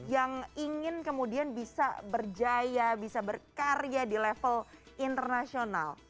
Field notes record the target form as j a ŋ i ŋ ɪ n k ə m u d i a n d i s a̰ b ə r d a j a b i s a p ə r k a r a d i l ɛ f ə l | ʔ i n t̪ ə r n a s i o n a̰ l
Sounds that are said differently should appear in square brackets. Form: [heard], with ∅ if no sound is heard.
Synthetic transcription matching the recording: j a ŋ i ŋ ɪ n k ə m u d i a n [b] i s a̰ b ə r [d͡ʒ] a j a b i s a [b] ə r k a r a d i l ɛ f ə l | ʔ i n t̪ ə r n a s i o n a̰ l